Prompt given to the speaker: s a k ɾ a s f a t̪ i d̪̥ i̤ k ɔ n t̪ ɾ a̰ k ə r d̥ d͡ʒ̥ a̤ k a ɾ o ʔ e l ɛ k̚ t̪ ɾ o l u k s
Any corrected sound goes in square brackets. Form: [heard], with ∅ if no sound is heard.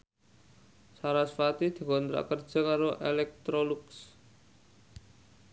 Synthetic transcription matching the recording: s a [∅] ɾ a s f a t̪ i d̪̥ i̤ k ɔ n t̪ ɾ a̰ k ə r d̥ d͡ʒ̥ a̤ k a ɾ o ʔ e l ɛ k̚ t̪ ɾ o l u k s